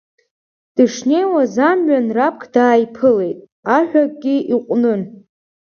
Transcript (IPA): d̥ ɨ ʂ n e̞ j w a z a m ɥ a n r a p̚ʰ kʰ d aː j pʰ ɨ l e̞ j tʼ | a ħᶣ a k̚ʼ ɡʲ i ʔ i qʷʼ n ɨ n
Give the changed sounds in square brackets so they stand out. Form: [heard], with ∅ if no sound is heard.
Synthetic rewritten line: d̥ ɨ ʂ n e̞ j w a z a m ɥ a n r a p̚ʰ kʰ d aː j pʰ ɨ l e̞ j tʼ | a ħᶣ a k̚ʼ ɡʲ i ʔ i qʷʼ n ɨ n